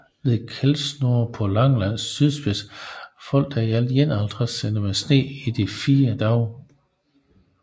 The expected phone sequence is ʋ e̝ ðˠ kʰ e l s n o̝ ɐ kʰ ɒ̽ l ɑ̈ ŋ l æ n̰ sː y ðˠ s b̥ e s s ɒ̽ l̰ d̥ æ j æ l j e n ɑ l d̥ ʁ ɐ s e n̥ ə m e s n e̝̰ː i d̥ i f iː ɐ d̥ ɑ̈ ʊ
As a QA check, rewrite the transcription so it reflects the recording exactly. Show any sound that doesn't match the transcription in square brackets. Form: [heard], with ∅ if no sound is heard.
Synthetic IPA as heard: ʋ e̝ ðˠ kʰ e l s n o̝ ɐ [pʰ] ɒ̽ l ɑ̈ ŋ l æ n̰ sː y ðˠ s b̥ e s [f] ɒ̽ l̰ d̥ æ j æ l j e n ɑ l d̥ ʁ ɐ s e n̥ ə m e s n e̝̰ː i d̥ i f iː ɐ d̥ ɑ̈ ʊ